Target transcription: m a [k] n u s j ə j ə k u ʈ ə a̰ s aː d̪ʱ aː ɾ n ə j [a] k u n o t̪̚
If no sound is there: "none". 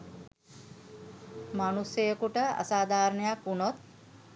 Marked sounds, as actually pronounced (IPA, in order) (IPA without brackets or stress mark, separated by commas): none, a